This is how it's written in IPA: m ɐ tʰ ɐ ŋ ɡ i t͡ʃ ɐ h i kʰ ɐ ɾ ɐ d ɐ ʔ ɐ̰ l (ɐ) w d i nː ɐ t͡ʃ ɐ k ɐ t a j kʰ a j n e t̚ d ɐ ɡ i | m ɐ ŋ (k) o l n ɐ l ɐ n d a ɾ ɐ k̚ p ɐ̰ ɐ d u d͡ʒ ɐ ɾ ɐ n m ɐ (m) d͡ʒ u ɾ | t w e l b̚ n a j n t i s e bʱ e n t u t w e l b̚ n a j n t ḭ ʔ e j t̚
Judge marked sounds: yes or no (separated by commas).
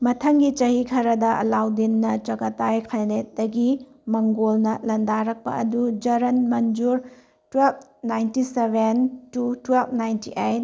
no, no, no